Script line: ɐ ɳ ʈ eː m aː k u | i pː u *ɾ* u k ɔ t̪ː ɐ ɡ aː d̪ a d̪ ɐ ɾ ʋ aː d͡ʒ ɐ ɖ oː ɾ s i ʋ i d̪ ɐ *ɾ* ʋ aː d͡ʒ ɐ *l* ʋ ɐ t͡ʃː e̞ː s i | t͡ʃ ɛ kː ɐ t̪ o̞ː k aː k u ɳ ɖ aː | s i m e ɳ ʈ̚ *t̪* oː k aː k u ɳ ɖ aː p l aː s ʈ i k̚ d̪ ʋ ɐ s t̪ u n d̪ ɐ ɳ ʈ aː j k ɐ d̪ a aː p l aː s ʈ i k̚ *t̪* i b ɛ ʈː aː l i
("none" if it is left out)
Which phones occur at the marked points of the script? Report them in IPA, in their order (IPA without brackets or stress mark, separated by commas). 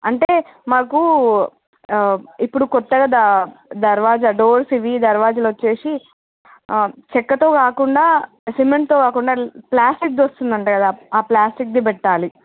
ɽ, ɾ, l, t̪, d̪